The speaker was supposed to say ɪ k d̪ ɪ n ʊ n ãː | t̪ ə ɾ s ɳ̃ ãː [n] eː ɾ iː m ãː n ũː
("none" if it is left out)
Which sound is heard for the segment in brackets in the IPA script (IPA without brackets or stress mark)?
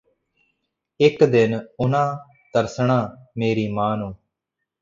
m